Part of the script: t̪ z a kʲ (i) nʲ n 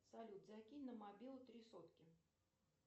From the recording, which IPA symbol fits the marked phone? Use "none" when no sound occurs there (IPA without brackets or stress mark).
i